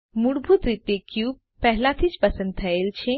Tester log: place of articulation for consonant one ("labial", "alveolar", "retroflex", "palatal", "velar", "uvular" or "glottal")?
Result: labial